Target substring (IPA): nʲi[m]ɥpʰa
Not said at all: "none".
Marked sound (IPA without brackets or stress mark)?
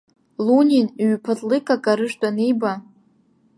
n